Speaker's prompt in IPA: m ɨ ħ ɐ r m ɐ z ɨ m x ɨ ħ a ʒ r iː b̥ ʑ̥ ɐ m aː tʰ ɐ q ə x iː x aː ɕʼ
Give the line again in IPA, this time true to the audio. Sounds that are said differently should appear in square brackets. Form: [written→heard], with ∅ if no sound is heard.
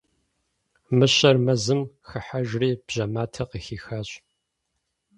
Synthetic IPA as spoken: m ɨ [ħ→ɕ] ɐ r m ɐ z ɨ m x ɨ ħ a ʒ r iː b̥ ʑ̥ ɐ m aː tʰ ɐ q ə x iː x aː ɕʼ

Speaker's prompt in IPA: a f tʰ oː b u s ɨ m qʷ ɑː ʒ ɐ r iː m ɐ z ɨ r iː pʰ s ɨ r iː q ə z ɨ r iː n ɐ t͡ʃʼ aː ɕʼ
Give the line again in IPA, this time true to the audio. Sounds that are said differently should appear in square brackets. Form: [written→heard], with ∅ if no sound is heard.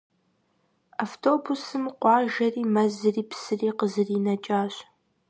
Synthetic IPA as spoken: a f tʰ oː b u s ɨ m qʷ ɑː ʒ ɐ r iː m ɐ z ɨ r iː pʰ s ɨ r iː q ə z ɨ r iː n ɐ t͡ʃʼ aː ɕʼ

